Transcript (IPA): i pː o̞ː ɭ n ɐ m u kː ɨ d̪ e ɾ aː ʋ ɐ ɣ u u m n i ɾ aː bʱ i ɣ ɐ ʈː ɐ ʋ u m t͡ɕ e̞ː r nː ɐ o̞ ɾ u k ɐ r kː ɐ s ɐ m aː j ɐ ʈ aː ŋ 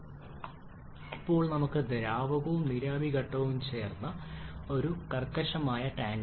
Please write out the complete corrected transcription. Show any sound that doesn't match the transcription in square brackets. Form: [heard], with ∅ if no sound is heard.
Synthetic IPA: i pː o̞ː ɭ n ɐ m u kː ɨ d̪ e ɾ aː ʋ ɐ ɣ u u m n i ɾ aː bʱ i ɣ ɐ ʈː ɐ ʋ u m t͡ɕ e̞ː r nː ɐ o̞ ɾ u k ɐ r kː ɐ [ʂ] ɐ m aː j ɐ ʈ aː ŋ